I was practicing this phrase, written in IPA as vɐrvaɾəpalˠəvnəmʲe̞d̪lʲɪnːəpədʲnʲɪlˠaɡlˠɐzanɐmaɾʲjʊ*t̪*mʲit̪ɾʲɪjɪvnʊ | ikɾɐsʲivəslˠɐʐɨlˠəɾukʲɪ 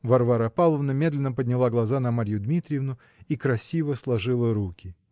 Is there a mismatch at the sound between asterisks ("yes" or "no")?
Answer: yes